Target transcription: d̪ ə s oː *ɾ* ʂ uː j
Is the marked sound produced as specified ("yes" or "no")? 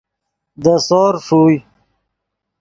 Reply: yes